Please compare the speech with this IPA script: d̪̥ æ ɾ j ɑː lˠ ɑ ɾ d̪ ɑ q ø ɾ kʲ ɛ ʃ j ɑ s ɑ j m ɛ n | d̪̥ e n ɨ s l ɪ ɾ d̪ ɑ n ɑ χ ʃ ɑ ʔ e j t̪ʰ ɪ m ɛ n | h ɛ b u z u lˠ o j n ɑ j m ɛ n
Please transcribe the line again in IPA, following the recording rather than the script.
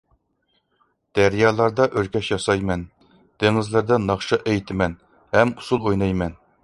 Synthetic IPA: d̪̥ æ ɾ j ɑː lˠ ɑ ɾ d̪ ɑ ʔ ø ɾ kʲ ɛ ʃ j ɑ s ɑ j m ɛ n | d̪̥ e ŋ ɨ z l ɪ ɾ d̪ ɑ n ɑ χ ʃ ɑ ʔ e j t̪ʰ ɪ m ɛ n | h ɛ m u s u lˠ o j n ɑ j m ɛ n